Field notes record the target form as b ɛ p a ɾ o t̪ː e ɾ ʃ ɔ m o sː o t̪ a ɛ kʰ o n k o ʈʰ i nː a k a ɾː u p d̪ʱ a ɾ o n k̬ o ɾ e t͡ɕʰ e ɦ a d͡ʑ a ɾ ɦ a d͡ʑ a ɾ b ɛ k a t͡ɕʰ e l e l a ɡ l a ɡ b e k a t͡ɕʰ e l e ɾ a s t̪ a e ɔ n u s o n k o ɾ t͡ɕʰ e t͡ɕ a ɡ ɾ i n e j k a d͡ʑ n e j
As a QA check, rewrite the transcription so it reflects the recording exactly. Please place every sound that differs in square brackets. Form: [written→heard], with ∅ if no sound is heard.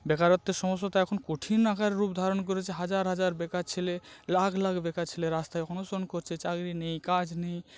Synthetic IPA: b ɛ [p→k] a ɾ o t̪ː e ɾ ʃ ɔ m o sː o t̪ a ɛ kʰ o n k o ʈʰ i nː a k a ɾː u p d̪ʱ a ɾ o n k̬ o ɾ e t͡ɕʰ e ɦ a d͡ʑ a ɾ ɦ a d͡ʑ a ɾ b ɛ k a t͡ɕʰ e l e l a ɡ l a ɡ b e k a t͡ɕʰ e l e ɾ a s t̪ a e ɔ n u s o n k o ɾ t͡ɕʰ e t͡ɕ a ɡ ɾ i n e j k a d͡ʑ n e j

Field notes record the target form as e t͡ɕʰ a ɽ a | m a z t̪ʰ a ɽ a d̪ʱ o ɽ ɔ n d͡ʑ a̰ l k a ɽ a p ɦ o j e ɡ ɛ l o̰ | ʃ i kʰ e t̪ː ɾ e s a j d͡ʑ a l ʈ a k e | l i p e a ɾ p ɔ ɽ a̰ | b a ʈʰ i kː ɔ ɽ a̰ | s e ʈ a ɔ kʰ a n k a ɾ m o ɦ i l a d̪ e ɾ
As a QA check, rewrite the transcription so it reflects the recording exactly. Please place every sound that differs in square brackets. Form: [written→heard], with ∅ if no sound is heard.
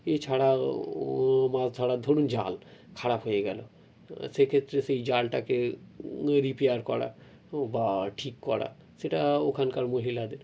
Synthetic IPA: e t͡ɕʰ a ɽ a | m a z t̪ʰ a ɽ a d̪ʱ o ɽ [ɔ→u] n d͡ʑ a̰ l [k→kʰ] a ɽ a p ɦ o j e ɡ ɛ l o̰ | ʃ [i→e] kʰ e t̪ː ɾ e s [a→e] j d͡ʑ a l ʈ a k e | [l→ɾ] i p e a ɾ [p→k] ɔ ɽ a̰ | b a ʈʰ i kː ɔ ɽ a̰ | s e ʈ a [ɔ→o] kʰ a n k a ɾ m o ɦ i l a d̪ e ɾ

